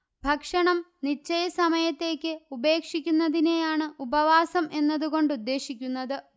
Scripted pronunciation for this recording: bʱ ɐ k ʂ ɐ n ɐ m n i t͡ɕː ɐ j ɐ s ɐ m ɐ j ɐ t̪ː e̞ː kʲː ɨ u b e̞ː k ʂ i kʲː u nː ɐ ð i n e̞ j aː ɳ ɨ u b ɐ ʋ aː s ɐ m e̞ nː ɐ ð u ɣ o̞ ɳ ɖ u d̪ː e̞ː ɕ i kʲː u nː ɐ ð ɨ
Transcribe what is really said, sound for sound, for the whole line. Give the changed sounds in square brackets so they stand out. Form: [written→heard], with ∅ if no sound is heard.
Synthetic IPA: bʱ ɐ k ʂ ɐ [n→ɳ] ɐ m n i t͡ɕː ɐ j ɐ s ɐ m ɐ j ɐ t̪ː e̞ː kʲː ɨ u b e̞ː k ʂ i kʲː u nː ɐ ð i n e̞ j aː ɳ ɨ u b ɐ ʋ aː s ɐ m e̞ nː ɐ ð u ɣ o̞ ɳ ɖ u d̪ː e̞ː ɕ i kʲː u nː ɐ ð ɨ